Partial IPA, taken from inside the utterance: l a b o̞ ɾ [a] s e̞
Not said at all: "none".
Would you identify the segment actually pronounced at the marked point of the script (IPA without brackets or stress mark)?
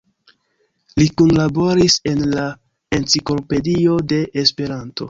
i